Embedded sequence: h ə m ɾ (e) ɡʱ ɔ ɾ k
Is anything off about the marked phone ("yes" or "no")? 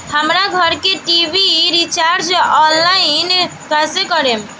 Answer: yes